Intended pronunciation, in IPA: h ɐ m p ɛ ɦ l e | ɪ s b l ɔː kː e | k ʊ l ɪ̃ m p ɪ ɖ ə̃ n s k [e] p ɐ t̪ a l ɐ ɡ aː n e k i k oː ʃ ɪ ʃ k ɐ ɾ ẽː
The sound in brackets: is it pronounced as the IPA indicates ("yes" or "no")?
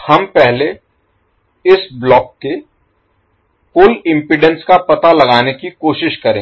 no